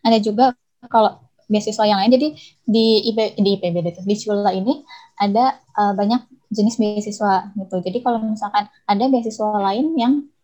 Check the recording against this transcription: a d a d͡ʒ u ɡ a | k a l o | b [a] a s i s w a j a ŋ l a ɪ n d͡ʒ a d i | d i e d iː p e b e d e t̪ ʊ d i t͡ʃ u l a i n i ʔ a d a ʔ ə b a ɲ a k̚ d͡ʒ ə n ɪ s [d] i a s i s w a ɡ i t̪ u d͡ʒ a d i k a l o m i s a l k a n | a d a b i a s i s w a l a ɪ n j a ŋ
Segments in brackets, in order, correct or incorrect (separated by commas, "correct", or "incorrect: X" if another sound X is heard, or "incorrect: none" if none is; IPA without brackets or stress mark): incorrect: i, incorrect: b